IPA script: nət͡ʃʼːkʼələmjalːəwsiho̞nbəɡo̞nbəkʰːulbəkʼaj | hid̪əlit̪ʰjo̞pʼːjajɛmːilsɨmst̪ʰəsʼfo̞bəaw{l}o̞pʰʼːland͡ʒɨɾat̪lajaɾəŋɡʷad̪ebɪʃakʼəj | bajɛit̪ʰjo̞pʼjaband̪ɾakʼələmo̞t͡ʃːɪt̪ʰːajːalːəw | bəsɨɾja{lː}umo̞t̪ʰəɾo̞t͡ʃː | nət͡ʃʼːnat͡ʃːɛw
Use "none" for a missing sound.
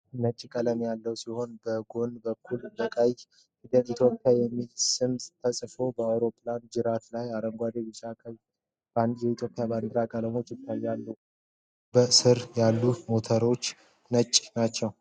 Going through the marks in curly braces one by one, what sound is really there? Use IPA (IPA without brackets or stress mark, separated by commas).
ɾ, lː